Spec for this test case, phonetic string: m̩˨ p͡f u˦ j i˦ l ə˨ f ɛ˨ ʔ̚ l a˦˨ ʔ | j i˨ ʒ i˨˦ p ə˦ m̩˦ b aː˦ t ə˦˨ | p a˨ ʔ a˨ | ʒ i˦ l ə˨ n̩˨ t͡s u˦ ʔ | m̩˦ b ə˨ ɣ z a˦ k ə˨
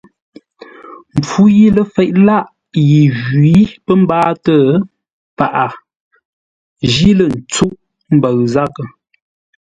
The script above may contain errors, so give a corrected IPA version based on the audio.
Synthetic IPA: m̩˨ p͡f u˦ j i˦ l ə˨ f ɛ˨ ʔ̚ l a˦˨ ʔ | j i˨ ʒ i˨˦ p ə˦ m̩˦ b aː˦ t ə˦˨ | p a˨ ʔ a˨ | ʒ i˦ l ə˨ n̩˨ t͡s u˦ ʔ | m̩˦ b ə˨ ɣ z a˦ k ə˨